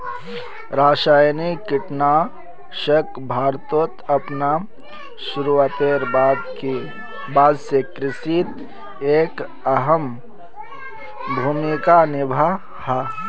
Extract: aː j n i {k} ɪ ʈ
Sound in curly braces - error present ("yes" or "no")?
no